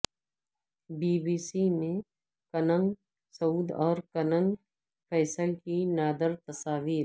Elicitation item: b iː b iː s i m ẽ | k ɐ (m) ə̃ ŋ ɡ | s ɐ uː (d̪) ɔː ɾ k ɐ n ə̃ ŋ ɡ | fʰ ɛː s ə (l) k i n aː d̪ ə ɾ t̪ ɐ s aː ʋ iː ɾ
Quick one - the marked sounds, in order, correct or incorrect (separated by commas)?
incorrect, correct, correct